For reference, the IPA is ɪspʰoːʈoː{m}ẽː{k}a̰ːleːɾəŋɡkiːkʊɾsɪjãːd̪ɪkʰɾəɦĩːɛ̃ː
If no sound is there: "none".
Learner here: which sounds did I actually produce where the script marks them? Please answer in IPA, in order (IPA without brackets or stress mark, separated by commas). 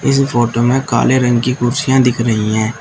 m, k